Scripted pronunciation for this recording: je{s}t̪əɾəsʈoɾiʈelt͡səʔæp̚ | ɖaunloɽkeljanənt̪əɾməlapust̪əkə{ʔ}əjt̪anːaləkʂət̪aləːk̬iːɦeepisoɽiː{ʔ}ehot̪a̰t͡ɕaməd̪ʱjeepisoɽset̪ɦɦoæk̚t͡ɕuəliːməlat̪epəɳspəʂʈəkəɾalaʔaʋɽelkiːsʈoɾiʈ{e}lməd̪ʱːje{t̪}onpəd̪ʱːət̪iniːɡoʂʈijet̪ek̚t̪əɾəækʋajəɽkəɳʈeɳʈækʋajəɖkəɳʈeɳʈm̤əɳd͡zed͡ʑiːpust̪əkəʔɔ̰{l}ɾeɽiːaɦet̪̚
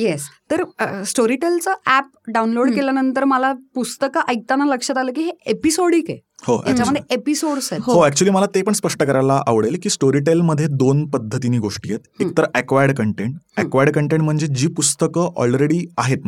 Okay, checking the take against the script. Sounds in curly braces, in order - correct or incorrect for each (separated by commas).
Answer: correct, correct, incorrect, correct, incorrect, correct